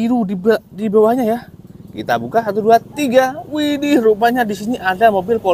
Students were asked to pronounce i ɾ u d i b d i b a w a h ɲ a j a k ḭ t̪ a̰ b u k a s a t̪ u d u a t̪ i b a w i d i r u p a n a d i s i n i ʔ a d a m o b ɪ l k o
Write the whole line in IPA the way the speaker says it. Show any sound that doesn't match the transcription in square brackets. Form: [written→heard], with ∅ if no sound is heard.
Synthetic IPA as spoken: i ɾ u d i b d i b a w a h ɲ a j a k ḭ t̪ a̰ b u k a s a t̪ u d u a t̪ i [b→ɡ] a w i d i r u p a [n→ɲ] a d i s i n i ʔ a d a m o b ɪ l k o

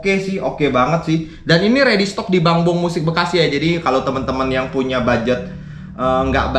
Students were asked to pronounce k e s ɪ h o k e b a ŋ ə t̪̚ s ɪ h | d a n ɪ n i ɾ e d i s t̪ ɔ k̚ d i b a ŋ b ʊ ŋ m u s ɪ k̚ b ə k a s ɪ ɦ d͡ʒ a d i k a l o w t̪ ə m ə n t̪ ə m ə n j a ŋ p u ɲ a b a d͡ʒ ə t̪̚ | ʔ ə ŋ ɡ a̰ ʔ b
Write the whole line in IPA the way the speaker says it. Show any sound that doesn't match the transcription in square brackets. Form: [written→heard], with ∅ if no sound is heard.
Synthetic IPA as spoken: k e s ɪ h o k e b a ŋ ə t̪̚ s ɪ h | d a n [ɪ→i] n i ɾ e d i s t̪ ɔ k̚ d i b a ŋ b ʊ ŋ m u s ɪ k̚ b ə k a s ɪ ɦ d͡ʒ a d i k a l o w t̪ ə m ə n t̪ ə m ə n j a ŋ p u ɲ a b a d͡ʒ ə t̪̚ | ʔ ə ŋ ɡ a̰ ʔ b

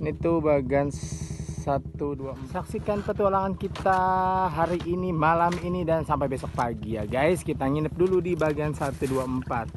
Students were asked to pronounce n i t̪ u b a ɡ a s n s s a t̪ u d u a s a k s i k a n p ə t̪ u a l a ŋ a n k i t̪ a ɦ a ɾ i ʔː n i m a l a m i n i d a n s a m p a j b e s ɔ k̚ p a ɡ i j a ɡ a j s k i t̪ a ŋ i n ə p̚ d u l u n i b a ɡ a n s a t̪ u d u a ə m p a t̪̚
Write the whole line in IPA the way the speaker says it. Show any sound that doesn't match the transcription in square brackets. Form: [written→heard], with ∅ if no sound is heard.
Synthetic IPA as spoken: n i t̪ u b a ɡ a [s→∅] n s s a t̪ u d u a s a k s i k a n p ə t̪ u a l a ŋ a n k i t̪ a ɦ a ɾ i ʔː n i m a l a m i n i d a n s a m p a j b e s ɔ k̚ p a ɡ i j a ɡ a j s k i t̪ a ŋ i n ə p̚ d u l u [n→d] i b a ɡ a n s a t̪ u d u a ə m p a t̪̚

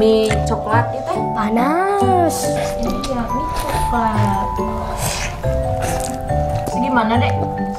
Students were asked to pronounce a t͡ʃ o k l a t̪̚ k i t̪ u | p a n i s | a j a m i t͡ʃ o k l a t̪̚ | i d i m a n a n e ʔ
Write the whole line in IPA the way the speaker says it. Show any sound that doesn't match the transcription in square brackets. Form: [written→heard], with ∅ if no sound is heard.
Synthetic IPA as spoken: [a→i] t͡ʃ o k l a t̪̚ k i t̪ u | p a n [i→a] s | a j a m i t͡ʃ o k l a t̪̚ | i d i m a n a n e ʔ

